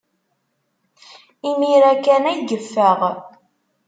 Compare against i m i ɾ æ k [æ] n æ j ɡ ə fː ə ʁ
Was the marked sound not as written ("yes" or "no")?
no